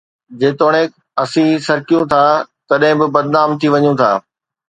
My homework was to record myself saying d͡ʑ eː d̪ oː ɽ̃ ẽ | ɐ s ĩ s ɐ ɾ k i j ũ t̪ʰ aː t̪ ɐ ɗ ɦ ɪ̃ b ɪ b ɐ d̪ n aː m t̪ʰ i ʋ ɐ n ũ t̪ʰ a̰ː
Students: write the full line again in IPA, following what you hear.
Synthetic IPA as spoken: d͡ʑ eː t̪ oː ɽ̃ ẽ | ɐ s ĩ s ɐ ɾ k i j ũ t̪ʰ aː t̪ ɐ ɗ ɦ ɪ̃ b ɪ b ɐ d̪ n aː m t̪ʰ i ʋ ɐ ɲ ũ t̪ʰ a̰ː